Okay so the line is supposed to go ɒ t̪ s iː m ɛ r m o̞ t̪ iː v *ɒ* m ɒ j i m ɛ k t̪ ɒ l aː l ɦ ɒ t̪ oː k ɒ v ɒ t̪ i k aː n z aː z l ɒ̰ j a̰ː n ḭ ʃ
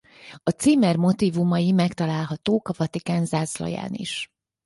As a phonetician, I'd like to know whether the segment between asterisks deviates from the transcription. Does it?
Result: yes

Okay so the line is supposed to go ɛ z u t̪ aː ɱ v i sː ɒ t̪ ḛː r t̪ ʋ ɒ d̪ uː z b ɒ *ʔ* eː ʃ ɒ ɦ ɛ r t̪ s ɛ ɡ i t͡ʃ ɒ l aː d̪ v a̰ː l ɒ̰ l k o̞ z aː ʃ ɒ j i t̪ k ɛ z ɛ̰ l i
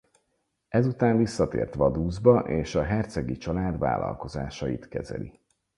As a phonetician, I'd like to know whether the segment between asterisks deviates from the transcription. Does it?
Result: no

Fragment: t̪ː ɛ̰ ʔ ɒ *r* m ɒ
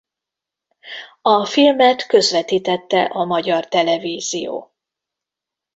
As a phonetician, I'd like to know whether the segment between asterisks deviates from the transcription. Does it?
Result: yes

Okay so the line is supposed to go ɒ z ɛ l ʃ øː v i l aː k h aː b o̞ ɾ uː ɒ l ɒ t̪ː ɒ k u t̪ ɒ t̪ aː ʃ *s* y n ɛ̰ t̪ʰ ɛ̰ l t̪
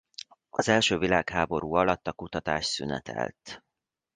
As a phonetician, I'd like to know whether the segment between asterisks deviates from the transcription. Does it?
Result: no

